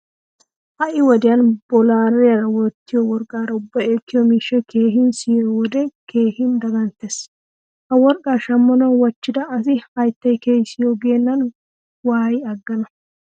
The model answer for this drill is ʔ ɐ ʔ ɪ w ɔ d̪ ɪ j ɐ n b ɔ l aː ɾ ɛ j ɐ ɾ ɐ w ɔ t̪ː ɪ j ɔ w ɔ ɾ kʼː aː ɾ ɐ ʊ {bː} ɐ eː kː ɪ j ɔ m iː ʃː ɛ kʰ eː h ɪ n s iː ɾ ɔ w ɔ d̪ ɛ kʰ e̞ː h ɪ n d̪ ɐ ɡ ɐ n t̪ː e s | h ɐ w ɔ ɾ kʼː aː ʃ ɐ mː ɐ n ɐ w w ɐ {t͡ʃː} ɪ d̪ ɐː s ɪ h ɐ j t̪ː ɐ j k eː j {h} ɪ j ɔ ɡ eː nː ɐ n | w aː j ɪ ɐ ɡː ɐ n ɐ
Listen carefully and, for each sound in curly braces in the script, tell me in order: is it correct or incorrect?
correct, correct, incorrect

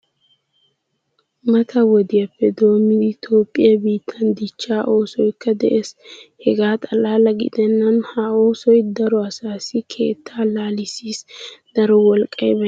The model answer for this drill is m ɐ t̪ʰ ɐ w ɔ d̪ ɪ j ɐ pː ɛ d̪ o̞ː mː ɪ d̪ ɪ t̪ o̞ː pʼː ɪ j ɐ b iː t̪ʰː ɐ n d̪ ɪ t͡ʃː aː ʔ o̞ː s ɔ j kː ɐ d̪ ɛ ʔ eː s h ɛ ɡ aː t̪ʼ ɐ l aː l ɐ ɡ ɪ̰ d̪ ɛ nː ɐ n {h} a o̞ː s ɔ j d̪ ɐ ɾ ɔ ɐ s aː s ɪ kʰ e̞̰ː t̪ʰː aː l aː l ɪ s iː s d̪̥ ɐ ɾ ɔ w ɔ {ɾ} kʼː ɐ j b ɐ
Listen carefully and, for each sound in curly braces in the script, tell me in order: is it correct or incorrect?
correct, incorrect

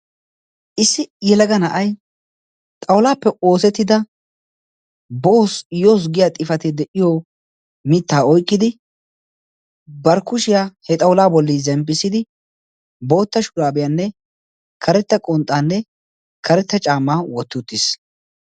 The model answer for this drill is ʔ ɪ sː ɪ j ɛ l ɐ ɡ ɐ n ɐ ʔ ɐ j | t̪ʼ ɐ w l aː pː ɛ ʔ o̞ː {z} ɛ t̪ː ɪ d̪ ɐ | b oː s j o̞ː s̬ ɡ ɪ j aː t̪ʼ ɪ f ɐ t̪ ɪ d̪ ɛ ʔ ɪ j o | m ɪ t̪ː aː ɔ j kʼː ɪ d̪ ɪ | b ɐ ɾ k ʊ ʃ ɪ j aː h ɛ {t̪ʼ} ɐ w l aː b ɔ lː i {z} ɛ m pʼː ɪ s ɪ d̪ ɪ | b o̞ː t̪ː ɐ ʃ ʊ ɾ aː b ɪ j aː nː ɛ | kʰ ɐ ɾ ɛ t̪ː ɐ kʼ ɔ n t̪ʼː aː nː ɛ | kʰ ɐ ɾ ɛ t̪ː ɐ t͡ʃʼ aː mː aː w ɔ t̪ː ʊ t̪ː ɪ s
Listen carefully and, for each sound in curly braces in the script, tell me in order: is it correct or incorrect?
incorrect, correct, correct

